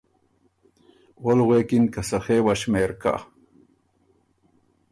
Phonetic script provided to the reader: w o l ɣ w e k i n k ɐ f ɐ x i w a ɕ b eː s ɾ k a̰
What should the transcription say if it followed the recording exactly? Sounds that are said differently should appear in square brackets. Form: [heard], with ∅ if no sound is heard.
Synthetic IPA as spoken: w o l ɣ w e k i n k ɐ [s] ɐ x [e] w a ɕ [m] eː [∅] ɾ k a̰

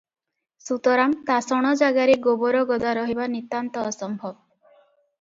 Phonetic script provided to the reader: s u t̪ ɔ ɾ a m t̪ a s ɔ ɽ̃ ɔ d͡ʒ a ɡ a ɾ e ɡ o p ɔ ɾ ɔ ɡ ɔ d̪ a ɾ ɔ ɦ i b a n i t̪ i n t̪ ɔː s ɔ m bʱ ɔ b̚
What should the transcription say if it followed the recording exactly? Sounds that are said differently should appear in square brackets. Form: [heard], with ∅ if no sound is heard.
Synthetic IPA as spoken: s u t̪ ɔ ɾ a m t̪ a s ɔ ɽ̃ ɔ d͡ʒ a ɡ a ɾ e ɡ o [b] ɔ ɾ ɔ ɡ ɔ d̪ a ɾ ɔ ɦ i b a n i t̪ [a] n t̪ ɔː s ɔ m bʱ ɔ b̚

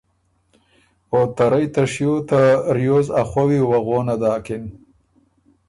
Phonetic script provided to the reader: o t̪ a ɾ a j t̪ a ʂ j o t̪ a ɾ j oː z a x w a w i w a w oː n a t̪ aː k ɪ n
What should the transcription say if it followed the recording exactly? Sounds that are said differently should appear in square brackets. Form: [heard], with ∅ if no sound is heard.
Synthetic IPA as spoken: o t̪ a ɾ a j t̪ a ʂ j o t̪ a ɾ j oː z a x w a w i w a [ɣ] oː n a [d̪] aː k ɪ n

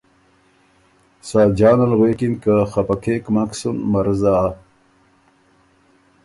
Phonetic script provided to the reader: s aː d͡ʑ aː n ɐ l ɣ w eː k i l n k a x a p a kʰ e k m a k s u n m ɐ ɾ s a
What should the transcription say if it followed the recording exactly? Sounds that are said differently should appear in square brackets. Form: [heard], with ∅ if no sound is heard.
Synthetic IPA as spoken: s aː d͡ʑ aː n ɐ l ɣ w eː k i [∅] n k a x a p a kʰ e k m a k s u n m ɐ ɾ [z] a

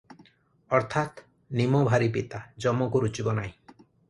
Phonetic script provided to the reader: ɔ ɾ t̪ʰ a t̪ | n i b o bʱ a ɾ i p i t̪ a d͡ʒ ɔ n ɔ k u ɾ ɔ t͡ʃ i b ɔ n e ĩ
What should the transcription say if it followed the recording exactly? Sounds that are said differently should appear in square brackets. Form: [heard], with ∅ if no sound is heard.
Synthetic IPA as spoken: ɔ ɾ t̪ʰ a t̪ | n i [m] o bʱ a ɾ i p i t̪ a d͡ʒ ɔ [m] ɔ k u ɾ [u] t͡ʃ i b ɔ n [a] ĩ

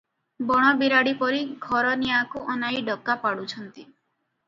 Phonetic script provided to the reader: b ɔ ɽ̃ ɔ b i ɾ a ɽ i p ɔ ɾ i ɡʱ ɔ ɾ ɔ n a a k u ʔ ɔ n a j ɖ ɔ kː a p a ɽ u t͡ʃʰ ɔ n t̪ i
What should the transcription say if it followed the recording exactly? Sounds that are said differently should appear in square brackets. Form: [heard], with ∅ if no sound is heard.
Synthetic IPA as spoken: b ɔ ɽ̃ ɔ b i ɾ a ɽ i p ɔ ɾ i ɡʱ ɔ ɾ ɔ n [i] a k u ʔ ɔ n a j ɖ ɔ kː a p a ɽ u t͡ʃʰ ɔ n t̪ i

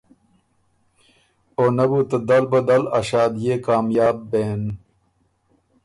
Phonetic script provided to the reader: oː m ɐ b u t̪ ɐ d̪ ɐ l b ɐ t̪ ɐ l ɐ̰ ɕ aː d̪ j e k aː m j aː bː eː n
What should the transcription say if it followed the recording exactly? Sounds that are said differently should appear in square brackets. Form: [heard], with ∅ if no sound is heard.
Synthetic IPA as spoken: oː [n] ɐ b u t̪ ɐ d̪ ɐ l b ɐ [d̪] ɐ l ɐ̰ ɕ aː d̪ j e k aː m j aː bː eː n

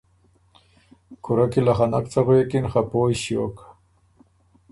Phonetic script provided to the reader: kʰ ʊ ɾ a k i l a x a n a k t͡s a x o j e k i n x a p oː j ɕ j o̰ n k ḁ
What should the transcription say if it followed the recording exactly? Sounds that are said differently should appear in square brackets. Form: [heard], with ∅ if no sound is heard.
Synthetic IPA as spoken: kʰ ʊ ɾ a k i l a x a n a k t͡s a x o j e k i n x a p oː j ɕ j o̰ [∅] k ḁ

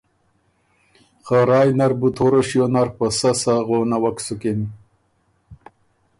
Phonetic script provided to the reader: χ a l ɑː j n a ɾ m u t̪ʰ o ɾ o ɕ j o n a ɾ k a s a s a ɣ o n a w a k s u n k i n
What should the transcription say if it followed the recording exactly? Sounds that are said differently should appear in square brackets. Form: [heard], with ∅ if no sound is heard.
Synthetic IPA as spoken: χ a [ɾ] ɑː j n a ɾ [b] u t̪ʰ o ɾ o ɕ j o n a ɾ [p] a s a s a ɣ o n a w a k s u [∅] k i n

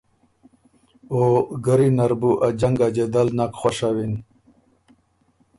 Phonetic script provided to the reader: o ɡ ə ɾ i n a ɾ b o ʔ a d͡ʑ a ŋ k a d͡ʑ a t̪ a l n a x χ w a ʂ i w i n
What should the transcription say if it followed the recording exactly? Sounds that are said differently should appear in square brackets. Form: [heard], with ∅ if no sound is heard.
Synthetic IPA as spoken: o ɡ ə ɾ i n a ɾ b [u] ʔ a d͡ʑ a ŋ [ɡ] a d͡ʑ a [d̪] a l n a [k] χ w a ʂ [a] w i n

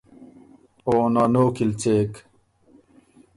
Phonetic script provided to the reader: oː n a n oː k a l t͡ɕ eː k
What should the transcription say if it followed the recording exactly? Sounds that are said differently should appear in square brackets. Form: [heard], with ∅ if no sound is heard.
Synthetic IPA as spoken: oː n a n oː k [i] l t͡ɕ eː k

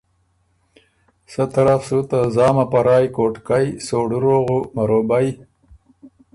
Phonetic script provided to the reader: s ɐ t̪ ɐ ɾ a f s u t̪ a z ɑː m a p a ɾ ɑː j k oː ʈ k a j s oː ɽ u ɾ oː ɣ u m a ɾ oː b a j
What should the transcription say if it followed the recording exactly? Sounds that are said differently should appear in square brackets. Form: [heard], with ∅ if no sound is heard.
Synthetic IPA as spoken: s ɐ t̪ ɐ ɾ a f s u t̪ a z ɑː m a p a ɾ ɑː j k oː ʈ k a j s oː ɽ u ɾ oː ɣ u m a ɾ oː b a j

